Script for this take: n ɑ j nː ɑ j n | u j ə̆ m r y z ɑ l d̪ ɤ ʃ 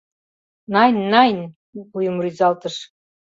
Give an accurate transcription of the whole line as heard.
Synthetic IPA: n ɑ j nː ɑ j n | u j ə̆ m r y z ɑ l t̪ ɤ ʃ

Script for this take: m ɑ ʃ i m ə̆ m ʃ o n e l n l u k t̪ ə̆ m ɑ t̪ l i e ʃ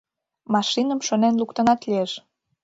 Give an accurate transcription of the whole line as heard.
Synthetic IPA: m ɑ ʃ i n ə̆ m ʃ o n e n l u k t̪ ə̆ n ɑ t̪ l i e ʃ

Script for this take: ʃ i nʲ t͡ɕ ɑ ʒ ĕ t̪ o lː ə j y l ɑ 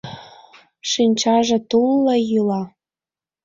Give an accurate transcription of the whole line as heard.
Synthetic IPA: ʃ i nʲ t͡ɕ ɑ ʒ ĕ t̪ u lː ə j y l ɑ

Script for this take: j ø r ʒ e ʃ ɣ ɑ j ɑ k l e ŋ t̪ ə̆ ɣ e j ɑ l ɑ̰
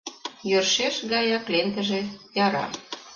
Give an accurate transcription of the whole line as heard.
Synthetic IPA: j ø r ʃ e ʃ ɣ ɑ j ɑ k l e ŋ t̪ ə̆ ʒ e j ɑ ɾ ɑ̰

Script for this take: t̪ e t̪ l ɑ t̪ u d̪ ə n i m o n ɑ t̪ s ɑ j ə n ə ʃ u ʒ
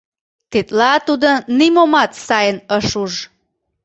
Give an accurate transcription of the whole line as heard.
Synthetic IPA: t̪ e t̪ l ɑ t̪ u d̪ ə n i m o m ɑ t̪ s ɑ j ə n ə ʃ u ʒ

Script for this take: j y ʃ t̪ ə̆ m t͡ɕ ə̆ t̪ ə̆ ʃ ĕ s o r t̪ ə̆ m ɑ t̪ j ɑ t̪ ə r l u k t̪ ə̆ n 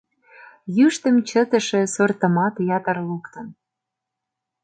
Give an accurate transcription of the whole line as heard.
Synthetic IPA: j y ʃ t̪ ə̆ m t͡ɕ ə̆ t̪ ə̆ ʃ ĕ s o r t̪ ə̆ m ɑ t̪ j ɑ t̪ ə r l u k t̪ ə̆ n

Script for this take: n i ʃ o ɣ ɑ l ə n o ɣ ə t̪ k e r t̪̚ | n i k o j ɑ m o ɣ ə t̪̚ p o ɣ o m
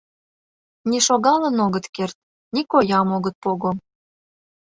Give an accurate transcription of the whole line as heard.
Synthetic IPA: n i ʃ o ɣ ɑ l ə n o ɣ ə t̪ k e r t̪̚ | n i k o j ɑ m o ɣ ə t̪̚ p o ɣ o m

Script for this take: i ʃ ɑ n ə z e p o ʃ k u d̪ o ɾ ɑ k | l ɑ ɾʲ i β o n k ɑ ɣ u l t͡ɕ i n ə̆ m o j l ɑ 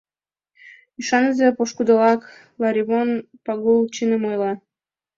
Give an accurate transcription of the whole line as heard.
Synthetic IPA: i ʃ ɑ n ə z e p o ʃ k u d̪ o l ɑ k | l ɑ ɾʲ i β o n p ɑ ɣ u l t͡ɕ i n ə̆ m o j l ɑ

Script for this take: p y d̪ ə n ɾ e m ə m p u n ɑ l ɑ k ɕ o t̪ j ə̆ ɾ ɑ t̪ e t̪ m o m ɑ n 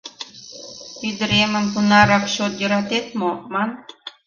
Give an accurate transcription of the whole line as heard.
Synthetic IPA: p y d̪ ə ɾ e m ə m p u n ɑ ɾ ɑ k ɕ o t̪ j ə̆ ɾ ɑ t̪ e t̪ m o m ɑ n

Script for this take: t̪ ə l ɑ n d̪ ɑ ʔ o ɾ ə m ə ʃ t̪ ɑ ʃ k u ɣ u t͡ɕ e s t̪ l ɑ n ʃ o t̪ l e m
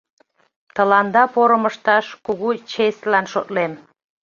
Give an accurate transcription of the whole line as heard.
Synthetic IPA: t̪ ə l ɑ n d̪ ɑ p o ɾ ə m ə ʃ t̪ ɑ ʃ k u ɣ u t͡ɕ e s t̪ l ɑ n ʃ o t̪ l e m

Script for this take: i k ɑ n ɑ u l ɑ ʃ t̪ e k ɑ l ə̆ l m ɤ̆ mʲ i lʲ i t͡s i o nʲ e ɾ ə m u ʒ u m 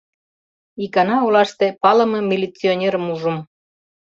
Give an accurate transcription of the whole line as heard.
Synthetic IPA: i k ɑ n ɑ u l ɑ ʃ t̪ e p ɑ l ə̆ m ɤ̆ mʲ i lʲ i t͡s i o nʲ e ɾ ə m u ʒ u m

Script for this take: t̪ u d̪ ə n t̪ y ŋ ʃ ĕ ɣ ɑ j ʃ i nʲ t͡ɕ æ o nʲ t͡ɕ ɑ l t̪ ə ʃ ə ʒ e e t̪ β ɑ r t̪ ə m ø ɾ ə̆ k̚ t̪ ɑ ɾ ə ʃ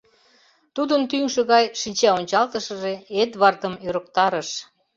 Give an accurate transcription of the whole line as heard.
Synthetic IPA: t̪ u d̪ ə n t̪ y ŋ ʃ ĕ ɣ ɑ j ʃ i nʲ t͡ɕ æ o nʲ t͡ɕ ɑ l t̪ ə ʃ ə ʒ e e t̪ β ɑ r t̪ ə m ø ɾ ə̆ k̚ t̪ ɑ ɾ ə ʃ

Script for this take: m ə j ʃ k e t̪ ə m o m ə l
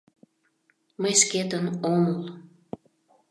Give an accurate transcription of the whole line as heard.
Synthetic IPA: m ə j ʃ k e t̪ ə n o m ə l

